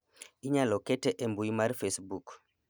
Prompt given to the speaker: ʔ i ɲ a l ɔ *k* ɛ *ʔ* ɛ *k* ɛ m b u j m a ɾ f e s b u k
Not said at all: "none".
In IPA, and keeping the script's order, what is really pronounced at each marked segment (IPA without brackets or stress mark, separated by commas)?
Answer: k, t, ʔ